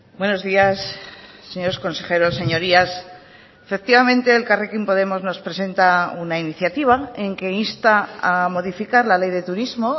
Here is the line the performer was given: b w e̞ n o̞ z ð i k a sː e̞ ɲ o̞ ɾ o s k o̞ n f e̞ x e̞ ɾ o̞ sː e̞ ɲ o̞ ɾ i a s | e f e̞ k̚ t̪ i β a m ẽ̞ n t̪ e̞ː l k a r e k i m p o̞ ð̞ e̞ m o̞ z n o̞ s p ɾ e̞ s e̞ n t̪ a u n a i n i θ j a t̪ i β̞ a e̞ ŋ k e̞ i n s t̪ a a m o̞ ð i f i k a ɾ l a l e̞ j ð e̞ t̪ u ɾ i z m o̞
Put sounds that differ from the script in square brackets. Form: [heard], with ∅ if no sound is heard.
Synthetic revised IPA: b w e̞ n o̞ z ð i [∅] a sː e̞ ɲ o̞ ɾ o s k o̞ n [s] e̞ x e̞ ɾ o̞ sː e̞ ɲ o̞ ɾ i a s | e f e̞ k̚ t̪ i β a m ẽ̞ n t̪ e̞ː l k a r e k i m p o̞ ð̞ e̞ m o̞ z n o̞ s p ɾ e̞ s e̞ n t̪ a u n a i n i θ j a t̪ i β̞ a e̞ ŋ k e̞ i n s t̪ a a m o̞ ð i f i k a ɾ l a l e̞ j ð e̞ t̪ u ɾ i z m o̞